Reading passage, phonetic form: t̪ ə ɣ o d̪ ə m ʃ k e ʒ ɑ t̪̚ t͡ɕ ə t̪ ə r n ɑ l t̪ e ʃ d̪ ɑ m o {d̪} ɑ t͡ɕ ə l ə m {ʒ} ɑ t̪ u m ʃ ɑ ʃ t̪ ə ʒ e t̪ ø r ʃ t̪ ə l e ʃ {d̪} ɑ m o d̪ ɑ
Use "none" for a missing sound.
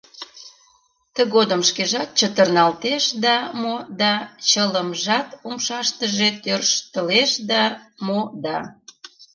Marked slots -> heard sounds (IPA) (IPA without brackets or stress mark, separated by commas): d̪, ʒ, d̪